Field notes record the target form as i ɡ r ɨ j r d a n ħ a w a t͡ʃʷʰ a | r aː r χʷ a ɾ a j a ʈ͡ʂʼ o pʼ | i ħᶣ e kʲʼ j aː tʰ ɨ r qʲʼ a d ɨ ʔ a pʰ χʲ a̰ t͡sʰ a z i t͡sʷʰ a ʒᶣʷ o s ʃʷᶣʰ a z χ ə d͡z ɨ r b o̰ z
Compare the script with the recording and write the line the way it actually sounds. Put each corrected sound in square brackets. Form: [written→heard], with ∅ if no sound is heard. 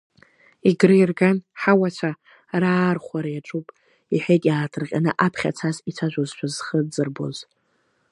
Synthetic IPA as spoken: i ɡ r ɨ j r [d→ɡ] a n ħ a w a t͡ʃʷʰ a | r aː r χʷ a ɾ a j a ʈ͡ʂʼ [o→u] pʼ | i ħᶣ e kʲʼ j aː tʰ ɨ r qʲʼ a [d→n] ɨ ʔ a pʰ χʲ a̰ t͡sʰ a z i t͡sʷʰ a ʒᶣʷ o [s→z] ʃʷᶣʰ a z χ ə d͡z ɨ r b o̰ z